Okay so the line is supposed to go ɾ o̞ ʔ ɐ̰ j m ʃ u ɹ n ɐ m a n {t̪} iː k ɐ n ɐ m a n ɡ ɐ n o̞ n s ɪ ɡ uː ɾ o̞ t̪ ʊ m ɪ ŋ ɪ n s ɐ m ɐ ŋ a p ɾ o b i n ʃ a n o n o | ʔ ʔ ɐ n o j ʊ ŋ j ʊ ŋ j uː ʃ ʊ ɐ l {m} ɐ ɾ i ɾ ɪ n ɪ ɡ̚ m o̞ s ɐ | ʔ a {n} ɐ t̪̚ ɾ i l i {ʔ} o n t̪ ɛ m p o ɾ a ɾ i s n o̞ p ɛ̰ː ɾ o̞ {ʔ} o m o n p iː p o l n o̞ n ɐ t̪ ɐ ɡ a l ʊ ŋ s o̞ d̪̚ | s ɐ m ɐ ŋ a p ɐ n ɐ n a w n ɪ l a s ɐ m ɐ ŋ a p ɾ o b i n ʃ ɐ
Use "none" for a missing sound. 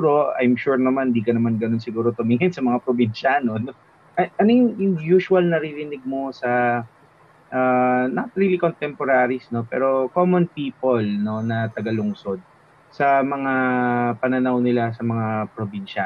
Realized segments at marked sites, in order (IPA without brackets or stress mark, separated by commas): d̪, n, n, k, k